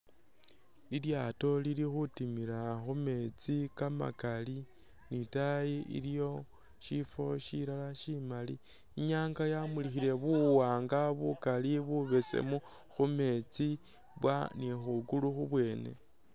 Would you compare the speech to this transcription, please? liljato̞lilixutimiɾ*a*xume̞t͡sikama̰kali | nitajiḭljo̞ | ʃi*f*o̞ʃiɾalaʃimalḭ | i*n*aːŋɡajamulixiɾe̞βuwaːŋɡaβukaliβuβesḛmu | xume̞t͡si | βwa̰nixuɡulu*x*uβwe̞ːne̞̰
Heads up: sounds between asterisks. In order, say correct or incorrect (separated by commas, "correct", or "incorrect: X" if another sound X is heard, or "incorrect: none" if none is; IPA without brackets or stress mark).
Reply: correct, correct, incorrect: ɲ, correct